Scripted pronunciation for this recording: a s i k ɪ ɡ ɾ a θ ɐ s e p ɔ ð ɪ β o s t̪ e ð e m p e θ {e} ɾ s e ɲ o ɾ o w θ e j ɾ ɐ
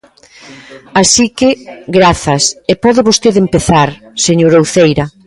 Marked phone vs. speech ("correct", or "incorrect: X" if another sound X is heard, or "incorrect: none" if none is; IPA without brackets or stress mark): incorrect: a